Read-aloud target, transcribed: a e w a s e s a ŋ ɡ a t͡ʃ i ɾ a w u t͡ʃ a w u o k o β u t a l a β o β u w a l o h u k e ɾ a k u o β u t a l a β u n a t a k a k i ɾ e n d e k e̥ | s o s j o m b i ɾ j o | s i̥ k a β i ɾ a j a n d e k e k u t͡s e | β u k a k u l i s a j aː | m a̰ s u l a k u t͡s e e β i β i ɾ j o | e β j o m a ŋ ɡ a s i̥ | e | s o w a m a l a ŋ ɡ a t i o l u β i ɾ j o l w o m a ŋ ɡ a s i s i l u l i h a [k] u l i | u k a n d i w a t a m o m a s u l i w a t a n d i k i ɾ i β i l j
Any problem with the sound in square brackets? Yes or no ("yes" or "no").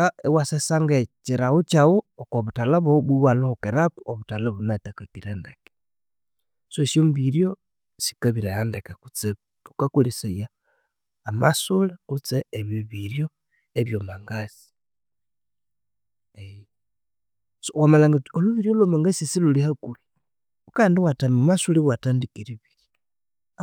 no